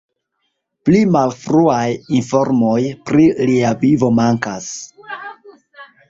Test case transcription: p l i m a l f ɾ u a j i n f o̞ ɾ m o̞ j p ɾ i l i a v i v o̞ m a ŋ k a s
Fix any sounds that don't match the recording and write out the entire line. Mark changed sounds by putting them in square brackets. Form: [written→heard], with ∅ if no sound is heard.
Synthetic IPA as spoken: p l i m a l f ɾ u a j i n f o̞ ɾ m o̞ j p ɾ i l i a v i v o̞ m a ŋ k a s